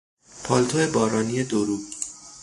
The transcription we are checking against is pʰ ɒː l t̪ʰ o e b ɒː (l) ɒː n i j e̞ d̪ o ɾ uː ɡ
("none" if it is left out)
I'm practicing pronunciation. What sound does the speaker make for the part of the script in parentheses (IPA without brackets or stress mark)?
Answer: ɾ